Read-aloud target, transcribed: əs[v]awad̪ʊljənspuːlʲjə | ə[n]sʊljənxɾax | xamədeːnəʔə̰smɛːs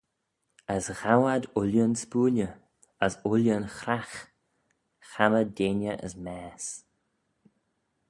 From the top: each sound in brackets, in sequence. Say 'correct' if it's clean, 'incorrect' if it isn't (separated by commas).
incorrect, incorrect